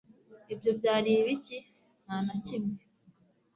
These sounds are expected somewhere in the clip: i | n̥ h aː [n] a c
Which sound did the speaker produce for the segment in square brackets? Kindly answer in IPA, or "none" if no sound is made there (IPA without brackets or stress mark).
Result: n